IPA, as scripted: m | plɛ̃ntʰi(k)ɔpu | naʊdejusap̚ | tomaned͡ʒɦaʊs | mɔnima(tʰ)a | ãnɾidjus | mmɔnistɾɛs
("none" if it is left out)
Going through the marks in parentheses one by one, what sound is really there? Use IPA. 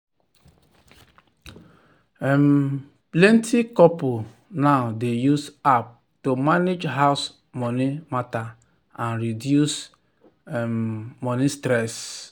k, t

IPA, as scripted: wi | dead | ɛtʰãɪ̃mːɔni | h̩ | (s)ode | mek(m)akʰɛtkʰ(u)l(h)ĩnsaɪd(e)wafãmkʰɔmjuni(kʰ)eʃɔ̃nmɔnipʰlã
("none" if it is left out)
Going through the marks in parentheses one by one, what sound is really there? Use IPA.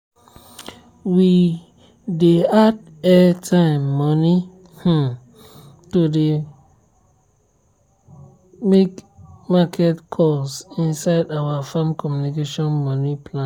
t, m, ɔ, s, a, k

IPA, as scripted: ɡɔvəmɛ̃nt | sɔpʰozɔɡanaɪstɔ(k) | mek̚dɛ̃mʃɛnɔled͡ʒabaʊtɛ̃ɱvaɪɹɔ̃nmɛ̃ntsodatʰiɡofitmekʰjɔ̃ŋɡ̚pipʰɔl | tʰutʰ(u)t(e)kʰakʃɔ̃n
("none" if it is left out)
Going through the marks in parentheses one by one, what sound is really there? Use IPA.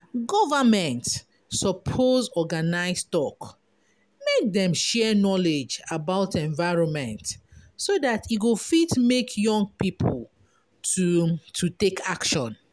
k, u, e

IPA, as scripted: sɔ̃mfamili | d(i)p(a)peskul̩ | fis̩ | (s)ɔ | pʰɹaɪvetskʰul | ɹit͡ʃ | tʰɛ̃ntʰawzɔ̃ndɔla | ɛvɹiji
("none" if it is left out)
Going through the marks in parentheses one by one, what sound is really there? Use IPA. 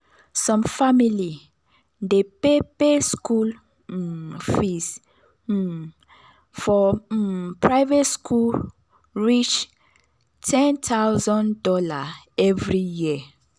e, e, f

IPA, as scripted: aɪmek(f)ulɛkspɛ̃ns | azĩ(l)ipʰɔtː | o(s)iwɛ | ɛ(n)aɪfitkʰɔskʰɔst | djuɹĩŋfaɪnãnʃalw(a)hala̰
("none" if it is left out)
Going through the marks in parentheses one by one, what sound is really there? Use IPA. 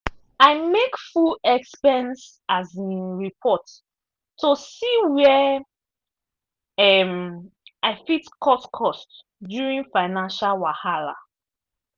f, ɹ, s, m, a

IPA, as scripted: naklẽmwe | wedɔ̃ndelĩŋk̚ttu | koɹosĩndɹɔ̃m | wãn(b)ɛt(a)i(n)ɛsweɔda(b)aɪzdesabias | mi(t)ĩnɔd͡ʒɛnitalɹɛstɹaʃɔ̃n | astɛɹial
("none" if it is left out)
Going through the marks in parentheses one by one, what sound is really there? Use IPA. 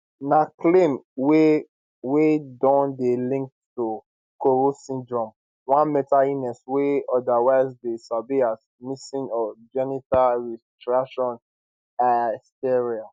m, a, n, w, s

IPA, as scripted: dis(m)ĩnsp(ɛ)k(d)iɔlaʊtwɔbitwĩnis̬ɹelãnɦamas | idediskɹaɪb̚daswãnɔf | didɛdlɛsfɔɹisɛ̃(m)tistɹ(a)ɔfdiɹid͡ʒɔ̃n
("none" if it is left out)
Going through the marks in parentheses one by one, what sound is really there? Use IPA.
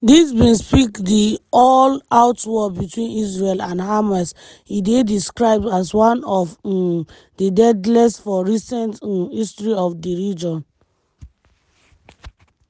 b, i, d, n, i

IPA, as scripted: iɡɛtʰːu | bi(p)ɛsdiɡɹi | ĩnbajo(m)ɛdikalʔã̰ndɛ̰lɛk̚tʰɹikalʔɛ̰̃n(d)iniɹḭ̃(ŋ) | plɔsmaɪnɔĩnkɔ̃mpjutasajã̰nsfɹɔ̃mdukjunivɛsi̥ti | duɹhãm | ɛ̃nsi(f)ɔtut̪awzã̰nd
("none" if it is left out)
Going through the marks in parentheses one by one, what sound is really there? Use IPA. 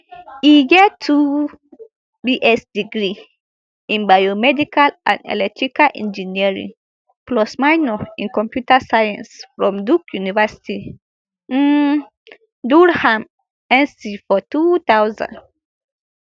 ʔ, m, d͡ʒ, ŋ, f

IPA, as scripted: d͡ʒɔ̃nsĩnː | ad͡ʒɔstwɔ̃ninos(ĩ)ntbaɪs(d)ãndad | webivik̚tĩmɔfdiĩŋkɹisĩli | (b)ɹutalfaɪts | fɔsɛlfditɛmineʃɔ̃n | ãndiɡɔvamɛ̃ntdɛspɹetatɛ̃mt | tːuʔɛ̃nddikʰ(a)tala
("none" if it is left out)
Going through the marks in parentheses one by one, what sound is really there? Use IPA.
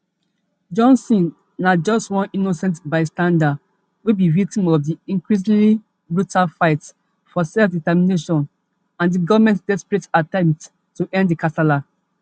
ɛ̃, t, b, a

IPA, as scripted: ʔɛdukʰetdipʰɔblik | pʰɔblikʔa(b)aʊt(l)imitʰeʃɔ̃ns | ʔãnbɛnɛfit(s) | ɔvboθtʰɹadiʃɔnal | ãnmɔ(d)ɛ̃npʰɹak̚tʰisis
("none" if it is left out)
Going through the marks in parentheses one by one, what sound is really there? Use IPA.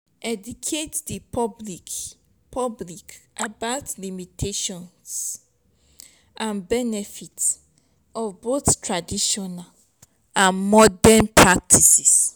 b, l, s, d

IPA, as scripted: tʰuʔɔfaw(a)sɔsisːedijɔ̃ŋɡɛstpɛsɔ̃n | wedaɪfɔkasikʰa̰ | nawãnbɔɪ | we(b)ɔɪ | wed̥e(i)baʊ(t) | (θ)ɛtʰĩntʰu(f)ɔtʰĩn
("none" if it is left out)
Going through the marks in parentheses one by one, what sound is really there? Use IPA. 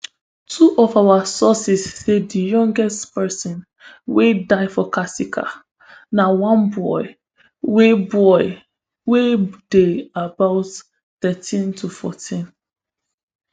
a, b, a, t, θ, f

